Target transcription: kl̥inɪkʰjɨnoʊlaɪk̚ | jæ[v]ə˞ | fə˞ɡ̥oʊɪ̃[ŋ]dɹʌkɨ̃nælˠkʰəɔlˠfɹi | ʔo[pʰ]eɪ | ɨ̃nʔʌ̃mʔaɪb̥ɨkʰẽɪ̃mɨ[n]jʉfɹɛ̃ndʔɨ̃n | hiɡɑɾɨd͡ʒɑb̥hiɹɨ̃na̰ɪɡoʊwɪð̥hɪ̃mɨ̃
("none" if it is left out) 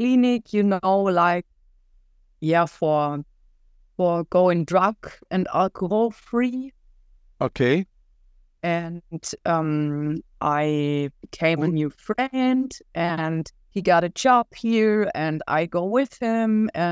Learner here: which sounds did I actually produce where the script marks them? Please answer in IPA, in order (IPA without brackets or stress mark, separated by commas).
f, ŋ, kʰ, n